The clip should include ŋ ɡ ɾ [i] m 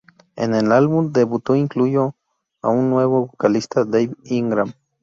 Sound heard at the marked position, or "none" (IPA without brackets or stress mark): a